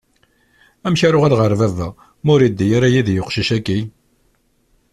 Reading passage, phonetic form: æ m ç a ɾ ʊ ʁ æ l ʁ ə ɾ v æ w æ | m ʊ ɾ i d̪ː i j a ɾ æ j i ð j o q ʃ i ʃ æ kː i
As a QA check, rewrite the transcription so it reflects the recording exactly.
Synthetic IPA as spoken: æ m ç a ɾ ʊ ʁ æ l ʁ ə ɾ v æ v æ | m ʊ ɾ i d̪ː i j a ɾ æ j i ð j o q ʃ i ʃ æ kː i